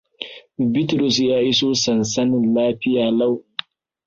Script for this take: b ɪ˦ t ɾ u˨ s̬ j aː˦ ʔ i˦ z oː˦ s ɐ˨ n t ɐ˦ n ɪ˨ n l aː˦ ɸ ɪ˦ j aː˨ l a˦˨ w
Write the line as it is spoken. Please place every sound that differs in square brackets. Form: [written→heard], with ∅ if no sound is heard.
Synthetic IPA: b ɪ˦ t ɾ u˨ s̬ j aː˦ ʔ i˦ [z→s] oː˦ s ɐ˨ n [t→s] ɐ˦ n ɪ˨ n l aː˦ ɸ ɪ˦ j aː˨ l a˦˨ w